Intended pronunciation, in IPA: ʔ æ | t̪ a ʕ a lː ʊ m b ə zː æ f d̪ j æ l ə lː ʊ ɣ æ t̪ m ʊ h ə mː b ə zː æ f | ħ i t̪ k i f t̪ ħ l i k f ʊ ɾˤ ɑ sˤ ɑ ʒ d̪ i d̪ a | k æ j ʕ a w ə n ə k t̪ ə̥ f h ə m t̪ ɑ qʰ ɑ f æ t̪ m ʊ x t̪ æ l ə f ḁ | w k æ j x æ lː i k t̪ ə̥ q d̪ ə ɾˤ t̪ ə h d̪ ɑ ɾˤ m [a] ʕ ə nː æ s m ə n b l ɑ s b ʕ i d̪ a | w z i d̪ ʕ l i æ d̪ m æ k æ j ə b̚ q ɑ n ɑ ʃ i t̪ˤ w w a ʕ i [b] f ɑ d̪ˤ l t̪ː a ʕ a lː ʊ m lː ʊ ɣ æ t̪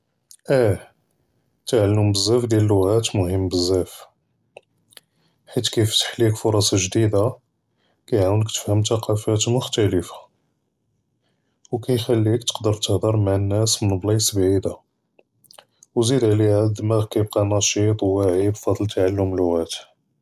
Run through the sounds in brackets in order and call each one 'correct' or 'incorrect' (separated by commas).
correct, correct